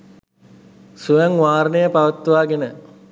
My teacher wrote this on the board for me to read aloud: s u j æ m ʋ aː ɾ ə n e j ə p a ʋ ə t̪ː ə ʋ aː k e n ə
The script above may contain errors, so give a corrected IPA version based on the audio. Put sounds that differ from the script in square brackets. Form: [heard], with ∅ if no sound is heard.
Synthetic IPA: s u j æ [ŋ] ʋ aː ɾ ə n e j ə p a ʋ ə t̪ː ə ʋ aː [ɡ] e n ə